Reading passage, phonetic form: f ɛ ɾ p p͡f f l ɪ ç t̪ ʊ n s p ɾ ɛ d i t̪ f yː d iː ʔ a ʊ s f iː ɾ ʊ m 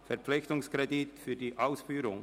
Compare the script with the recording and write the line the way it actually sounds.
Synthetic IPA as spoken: f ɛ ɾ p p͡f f l ɪ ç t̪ ʊ ŋ s k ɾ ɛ d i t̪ f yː d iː ʔ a ʊ s f yː ɾ ʊ ŋ

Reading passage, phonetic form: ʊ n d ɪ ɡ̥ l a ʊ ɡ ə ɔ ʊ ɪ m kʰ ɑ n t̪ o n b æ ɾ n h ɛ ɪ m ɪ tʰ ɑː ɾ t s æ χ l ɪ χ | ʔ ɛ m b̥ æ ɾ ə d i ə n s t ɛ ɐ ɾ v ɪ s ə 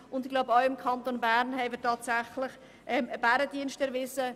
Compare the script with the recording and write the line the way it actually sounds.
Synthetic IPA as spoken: ʊ n d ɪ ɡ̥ l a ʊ b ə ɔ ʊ ɪ m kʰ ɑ n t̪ o n b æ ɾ n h ɛ ɪ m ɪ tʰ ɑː t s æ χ l ɪ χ | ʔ ɛ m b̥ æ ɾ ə d i ə n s t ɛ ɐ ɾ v ɪ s ə

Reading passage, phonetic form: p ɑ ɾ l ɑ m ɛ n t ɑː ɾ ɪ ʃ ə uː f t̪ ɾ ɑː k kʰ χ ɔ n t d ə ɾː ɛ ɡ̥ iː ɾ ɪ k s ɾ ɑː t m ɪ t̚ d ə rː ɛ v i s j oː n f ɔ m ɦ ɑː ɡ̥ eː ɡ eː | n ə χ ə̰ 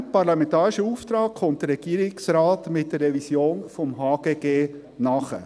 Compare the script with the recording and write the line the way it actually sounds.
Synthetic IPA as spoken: p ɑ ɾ l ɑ m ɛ n t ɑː ɾ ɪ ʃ ə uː f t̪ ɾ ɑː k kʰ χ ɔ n t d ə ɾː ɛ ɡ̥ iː ɾ ɪ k s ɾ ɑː t m ɪ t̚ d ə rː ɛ v i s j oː n f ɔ m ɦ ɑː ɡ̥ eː ɡ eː | n ɑ χ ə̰

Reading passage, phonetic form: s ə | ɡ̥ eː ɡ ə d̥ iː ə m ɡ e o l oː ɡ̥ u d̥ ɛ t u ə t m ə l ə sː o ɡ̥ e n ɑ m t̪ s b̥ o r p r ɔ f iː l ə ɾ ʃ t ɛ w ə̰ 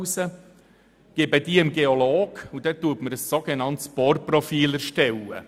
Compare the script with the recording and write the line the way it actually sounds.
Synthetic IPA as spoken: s ə | ɡ̥ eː b ə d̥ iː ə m ɡ e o l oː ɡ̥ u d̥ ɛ t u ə t m ə ɾ ə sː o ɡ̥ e n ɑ n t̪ s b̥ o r p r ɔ f iː l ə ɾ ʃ t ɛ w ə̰

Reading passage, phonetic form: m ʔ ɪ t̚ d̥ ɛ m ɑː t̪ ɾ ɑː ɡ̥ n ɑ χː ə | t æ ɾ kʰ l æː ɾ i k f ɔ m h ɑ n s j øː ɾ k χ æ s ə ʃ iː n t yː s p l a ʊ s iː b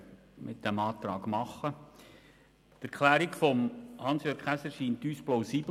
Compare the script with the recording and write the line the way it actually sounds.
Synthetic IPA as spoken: m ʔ ɪ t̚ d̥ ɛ m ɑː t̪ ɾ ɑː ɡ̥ m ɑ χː ə | t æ ɾ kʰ l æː ɾ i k f ɔ m h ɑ n s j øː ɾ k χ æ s ə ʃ iː n t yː s p l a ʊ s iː b

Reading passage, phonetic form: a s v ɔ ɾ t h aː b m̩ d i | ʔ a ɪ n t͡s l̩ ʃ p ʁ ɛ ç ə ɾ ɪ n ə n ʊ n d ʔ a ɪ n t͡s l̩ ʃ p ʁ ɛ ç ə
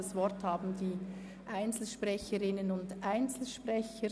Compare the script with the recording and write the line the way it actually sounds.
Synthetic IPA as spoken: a s v ɔ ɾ t h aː b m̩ d iː | ʔ a ɪ n t͡s l̩ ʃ p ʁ ɛ ç ə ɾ ɪ n ə n ʊ n d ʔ a ɪ n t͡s l̩ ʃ p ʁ ɛ ç ə

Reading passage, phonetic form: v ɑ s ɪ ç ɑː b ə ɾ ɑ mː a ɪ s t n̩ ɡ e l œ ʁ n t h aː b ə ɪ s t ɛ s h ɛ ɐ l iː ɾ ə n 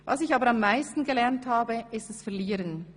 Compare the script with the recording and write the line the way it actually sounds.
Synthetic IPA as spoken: v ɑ s ɪ ç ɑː b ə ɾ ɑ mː a ɪ s t n̩ ɡ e l ɛ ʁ n t h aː b ə ɪ s t ɛ s f ɛ ɐ l iː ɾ ə n

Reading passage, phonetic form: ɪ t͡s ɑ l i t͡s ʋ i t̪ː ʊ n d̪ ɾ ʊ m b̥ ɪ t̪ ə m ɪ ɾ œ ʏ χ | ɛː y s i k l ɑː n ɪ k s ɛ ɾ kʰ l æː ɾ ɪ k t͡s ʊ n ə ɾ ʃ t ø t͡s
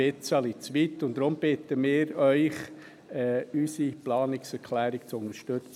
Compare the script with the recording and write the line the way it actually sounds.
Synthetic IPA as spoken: ɪ t͡s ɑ l i t͡s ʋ i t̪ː ʊ n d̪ ɾ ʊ m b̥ ɪ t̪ ə m ɪː ɾ œ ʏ χ | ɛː y s i p l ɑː n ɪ k s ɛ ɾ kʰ l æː ɾ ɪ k t͡s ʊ n ə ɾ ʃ t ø t͡s

